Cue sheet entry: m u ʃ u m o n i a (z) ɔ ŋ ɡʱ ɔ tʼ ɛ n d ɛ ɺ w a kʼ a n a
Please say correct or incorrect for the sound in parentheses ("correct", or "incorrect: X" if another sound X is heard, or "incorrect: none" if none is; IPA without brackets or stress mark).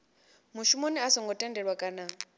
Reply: incorrect: s